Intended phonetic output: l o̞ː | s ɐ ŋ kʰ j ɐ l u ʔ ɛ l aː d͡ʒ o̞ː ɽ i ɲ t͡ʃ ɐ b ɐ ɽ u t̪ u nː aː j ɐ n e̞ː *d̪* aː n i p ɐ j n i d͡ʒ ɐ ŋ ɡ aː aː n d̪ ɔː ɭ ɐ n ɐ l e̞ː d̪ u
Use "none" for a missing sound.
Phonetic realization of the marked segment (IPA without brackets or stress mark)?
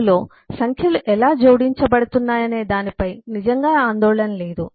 d̪